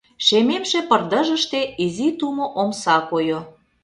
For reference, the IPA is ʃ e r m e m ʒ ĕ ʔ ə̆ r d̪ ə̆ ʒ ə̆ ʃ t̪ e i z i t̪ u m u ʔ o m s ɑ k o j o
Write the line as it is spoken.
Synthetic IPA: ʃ e m e m ʃ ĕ p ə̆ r d̪ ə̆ ʒ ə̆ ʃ t̪ e i z i t̪ u m o ʔ o m s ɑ k o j o